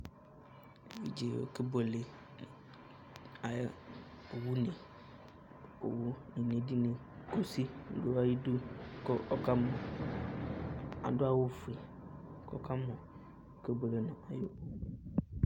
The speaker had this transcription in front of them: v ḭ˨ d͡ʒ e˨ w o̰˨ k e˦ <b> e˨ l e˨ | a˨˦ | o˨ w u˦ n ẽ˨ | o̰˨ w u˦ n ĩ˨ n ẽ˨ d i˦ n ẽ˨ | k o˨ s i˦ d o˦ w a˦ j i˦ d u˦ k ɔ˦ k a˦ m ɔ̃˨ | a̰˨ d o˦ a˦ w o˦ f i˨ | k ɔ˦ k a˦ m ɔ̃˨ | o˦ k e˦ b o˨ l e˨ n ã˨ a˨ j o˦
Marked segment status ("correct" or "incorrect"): correct